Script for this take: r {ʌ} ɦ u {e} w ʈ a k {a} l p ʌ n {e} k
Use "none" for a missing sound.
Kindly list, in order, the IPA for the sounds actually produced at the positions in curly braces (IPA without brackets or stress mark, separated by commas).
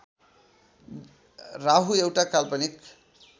a, e, a, i